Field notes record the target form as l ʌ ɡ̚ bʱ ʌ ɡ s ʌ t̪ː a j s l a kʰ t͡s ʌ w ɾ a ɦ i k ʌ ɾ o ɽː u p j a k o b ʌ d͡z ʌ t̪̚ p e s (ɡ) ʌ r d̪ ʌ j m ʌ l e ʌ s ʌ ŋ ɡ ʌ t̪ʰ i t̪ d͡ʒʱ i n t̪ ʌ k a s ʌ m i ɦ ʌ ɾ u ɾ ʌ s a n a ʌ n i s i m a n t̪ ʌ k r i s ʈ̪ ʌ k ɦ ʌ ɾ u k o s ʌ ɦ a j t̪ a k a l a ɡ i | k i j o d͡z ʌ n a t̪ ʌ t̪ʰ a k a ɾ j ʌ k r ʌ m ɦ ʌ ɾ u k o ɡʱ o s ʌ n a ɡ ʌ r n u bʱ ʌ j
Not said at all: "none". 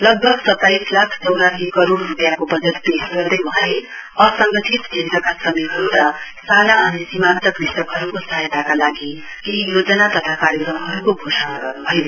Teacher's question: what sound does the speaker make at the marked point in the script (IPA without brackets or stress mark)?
ɡ